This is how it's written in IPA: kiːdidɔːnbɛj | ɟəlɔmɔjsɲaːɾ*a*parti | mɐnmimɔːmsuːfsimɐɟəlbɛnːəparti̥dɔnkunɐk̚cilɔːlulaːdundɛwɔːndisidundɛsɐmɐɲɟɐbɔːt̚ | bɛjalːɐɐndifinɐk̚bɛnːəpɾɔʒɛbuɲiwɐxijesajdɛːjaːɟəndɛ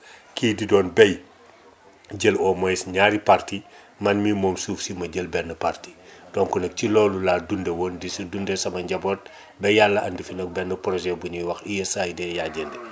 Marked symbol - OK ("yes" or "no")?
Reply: no